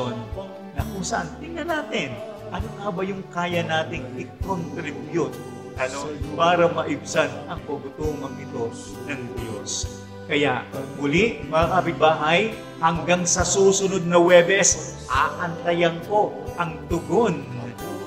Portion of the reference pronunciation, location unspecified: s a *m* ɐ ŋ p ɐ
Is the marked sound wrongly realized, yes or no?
yes